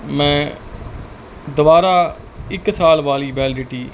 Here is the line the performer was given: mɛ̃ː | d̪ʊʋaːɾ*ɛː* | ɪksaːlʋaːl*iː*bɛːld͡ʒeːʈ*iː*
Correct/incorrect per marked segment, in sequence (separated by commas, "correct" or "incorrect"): incorrect, correct, correct